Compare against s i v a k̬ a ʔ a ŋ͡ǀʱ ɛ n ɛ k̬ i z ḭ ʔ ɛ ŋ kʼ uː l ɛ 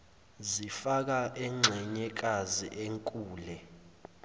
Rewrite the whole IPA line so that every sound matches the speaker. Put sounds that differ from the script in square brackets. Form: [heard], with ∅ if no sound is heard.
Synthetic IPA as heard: [z] i [f] a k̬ a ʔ [ɛ] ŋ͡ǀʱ ɛ [ɲ] ɛ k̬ [a] z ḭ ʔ [e] ŋ kʼ uː l ɛ

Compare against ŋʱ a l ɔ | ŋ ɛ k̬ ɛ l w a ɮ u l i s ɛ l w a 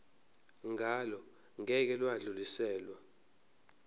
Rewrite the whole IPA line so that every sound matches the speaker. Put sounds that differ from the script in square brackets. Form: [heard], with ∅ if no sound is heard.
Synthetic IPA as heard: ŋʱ a l ɔ | ŋ ɛ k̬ ɛ l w a ɮ u l i s [ɛː] l w a

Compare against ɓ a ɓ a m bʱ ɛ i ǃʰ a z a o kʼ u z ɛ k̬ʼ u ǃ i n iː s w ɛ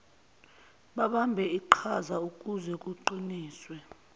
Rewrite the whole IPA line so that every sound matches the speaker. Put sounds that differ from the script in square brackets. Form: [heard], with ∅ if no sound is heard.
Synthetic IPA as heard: ɓ a ɓ a m bʱ ɛ i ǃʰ a z a [u] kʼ u z ɛ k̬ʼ u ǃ i n iː s w ɛ

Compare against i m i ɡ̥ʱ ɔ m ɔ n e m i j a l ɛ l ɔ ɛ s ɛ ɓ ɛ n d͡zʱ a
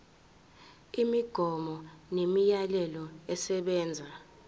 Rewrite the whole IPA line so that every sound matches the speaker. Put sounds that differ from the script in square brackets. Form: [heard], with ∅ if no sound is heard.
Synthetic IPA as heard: i m i ɡ̥ʱ ɔ m ɔ n e m i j a l ɛ l ɔ ɛ s ɛ ɓ [ɛː] n d͡zʱ a

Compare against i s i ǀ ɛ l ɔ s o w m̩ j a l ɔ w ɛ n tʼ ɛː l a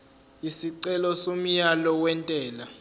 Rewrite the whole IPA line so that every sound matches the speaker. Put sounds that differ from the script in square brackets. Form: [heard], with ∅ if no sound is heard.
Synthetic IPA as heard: i s i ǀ ɛ l ɔ s o [∅] m̩ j a l ɔ w ɛ n tʼ ɛː l a

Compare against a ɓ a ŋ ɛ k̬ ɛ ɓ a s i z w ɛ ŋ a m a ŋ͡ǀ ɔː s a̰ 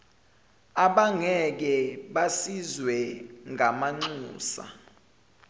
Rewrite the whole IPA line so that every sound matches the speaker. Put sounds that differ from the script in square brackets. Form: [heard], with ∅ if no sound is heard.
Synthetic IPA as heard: a ɓ a ŋ ɛ k̬ ɛ ɓ a s i z w ɛ ŋ a m a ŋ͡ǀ [uː] s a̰

